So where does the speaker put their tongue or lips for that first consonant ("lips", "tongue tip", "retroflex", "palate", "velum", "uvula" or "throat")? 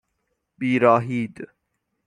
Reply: lips